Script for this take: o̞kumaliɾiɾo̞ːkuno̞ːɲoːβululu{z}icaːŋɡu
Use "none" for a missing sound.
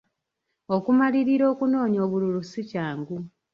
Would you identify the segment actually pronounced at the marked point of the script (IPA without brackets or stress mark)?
s